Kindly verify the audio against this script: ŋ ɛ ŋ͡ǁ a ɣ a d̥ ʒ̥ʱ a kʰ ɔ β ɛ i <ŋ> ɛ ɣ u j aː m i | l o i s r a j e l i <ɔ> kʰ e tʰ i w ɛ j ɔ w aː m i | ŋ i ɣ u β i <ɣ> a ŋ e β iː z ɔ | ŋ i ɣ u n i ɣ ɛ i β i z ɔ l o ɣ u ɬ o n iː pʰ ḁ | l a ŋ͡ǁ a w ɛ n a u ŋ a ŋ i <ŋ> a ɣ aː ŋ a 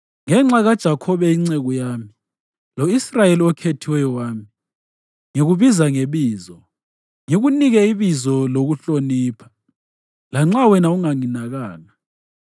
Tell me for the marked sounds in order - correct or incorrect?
incorrect, correct, incorrect, incorrect

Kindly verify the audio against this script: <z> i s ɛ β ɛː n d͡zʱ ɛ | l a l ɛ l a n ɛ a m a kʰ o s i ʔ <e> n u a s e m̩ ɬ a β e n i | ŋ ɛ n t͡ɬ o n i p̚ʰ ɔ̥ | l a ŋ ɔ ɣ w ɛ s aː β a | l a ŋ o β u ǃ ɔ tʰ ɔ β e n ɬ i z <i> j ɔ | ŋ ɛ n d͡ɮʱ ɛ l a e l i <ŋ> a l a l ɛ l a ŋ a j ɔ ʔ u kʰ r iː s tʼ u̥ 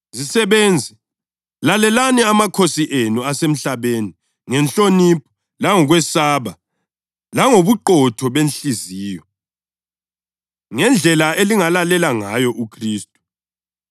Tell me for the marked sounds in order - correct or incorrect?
correct, correct, incorrect, correct

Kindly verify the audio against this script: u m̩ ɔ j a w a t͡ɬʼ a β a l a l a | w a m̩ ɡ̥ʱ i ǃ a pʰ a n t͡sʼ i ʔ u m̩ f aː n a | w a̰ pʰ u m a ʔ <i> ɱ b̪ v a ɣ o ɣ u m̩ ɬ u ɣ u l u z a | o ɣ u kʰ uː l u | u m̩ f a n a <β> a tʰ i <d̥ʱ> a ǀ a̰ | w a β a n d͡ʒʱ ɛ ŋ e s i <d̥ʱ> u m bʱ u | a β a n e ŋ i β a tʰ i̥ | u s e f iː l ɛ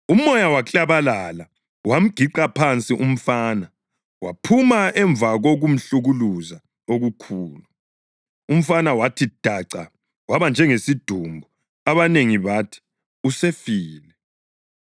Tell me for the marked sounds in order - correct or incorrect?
incorrect, incorrect, correct, correct

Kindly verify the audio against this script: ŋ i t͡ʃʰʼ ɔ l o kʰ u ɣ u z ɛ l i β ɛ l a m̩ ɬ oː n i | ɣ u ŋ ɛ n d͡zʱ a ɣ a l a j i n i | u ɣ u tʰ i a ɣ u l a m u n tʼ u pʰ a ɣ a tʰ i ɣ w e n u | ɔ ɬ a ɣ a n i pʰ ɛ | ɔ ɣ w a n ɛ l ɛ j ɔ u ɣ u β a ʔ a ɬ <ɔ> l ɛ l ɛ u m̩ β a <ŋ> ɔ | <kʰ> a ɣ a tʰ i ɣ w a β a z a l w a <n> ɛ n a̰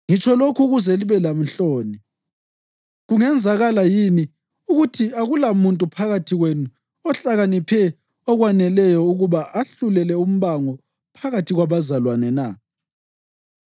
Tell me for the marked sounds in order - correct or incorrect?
incorrect, correct, incorrect, correct

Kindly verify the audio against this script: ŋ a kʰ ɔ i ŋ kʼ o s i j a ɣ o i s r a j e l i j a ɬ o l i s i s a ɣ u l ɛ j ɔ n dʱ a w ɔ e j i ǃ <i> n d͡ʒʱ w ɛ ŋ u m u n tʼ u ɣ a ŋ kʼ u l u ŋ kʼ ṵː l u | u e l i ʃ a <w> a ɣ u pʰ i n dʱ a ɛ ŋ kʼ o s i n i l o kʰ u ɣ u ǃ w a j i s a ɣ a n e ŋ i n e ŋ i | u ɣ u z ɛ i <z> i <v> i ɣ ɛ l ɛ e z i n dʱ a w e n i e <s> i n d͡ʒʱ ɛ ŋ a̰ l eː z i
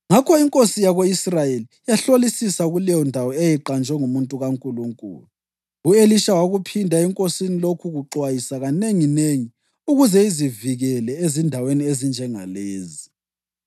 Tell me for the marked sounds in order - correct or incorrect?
incorrect, correct, correct, correct, incorrect

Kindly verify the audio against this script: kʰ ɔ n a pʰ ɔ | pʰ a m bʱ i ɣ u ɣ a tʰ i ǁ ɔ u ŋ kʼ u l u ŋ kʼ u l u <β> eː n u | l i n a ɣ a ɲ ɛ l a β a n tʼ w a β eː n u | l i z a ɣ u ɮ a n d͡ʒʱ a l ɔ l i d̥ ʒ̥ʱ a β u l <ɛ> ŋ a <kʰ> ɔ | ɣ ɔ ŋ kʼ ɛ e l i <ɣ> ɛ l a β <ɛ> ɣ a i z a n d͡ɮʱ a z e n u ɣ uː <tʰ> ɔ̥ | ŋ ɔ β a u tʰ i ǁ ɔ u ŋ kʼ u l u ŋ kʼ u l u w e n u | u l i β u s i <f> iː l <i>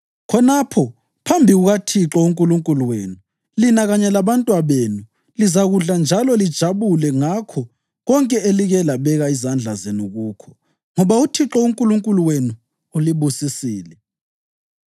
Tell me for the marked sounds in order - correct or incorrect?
incorrect, correct, correct, correct, correct, incorrect, incorrect, incorrect

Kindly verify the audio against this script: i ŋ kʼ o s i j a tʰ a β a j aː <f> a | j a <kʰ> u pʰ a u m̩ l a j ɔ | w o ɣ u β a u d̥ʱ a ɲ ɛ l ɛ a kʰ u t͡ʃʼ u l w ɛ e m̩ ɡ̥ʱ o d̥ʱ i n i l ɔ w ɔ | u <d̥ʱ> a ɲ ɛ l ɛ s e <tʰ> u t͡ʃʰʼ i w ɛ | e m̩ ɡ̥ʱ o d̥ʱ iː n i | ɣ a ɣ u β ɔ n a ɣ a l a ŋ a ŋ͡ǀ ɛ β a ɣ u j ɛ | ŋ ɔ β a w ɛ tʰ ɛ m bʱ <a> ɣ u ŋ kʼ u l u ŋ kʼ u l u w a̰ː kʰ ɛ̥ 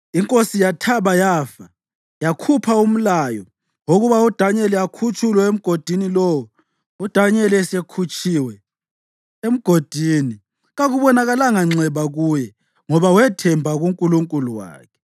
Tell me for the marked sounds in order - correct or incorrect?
correct, correct, correct, incorrect, correct

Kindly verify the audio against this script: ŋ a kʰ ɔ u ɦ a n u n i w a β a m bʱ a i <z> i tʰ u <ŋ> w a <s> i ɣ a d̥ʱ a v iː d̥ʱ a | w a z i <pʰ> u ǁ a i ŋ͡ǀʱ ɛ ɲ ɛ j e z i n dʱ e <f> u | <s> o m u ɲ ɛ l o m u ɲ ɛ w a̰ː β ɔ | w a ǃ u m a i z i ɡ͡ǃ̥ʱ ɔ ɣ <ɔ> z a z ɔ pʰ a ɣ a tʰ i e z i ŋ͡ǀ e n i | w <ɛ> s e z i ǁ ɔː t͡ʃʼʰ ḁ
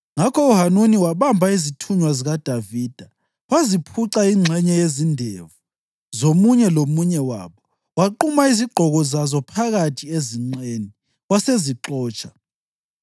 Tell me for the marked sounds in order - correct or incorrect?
correct, incorrect, incorrect, correct, incorrect, incorrect, correct, incorrect

